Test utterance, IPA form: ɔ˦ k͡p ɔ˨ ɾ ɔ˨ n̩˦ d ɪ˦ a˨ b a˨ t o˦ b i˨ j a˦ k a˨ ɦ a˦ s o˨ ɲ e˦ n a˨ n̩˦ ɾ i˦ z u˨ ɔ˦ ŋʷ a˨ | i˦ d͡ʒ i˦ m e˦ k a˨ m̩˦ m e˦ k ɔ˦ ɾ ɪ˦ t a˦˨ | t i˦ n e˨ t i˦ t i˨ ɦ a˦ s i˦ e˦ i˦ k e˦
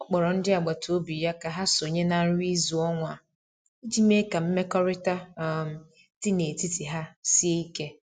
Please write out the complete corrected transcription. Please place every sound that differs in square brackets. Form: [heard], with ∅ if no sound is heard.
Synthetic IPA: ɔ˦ k͡p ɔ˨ ɾ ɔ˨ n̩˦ d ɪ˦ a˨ [ɡ͡b] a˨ t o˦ b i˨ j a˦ k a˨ ɦ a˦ s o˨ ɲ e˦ n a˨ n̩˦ ɾ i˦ z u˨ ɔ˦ ŋʷ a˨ | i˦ d͡ʒ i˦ m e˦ k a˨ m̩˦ m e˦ k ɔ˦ ɾ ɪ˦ t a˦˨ | t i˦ n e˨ t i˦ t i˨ ɦ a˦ s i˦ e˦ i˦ k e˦